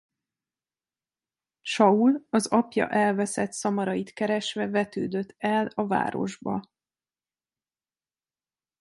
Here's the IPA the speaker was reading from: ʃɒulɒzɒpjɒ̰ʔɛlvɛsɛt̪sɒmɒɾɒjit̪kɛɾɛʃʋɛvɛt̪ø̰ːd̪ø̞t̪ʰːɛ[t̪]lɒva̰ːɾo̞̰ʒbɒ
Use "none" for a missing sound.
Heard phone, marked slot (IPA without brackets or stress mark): none